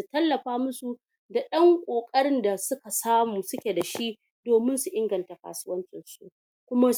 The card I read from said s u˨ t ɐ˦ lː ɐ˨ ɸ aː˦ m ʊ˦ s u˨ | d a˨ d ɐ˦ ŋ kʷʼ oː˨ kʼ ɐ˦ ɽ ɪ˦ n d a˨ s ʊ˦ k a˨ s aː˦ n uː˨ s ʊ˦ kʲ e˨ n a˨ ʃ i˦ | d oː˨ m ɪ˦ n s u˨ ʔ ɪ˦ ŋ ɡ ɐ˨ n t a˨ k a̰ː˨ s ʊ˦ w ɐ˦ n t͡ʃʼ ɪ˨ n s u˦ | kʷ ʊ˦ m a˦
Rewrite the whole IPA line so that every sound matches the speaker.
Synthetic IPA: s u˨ t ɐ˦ lː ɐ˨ ɸ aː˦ m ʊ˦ s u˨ | d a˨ ɗ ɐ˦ ŋ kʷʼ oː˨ kʼ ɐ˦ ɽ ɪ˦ n d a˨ s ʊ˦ k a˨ s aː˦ m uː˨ s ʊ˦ kʲ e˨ d a˨ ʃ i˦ | d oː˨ m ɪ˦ n s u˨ ʔ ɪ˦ ŋ ɡ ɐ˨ n t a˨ k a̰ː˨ s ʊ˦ w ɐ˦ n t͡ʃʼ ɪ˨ n s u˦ | kʷ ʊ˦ m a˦